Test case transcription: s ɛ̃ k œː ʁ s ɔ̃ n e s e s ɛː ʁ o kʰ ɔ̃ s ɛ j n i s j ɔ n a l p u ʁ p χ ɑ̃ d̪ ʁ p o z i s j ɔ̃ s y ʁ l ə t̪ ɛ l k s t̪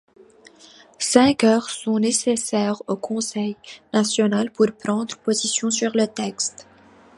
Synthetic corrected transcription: s ɛ̃ k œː ʁ s ɔ̃ n e s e s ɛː ʁ o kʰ ɔ̃ s ɛ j n a s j ɔ n a l p u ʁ p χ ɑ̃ d̪ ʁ p o z i s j ɔ̃ s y ʁ l ə t̪ ɛ k s t̪